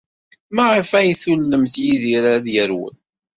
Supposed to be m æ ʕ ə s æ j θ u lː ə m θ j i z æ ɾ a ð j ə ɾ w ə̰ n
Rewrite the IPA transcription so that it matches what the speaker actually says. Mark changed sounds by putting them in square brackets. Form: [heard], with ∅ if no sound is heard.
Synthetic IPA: m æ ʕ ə [f] æ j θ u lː ə m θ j i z [i] ɾ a ð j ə ɾ w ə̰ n